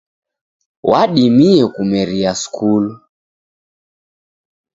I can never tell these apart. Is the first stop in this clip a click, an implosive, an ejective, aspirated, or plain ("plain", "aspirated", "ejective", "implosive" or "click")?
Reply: implosive